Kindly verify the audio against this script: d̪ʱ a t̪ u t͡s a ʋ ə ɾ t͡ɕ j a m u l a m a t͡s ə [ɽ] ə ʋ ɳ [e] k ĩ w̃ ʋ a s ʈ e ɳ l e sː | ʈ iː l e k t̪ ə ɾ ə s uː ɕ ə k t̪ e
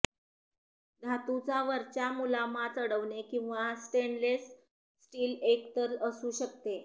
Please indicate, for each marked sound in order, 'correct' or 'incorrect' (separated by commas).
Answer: correct, correct